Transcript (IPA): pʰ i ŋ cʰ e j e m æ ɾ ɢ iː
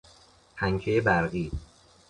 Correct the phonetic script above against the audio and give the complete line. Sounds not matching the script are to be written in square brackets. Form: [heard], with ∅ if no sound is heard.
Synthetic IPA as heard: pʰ [æ] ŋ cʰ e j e [b] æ ɾ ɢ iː